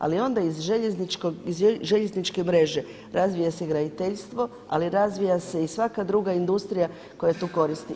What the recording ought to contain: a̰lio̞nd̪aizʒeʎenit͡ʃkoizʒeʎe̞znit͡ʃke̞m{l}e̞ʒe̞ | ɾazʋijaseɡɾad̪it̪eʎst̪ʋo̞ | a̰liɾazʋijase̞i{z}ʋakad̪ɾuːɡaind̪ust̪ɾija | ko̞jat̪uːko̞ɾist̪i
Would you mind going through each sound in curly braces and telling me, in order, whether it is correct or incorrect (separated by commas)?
incorrect, incorrect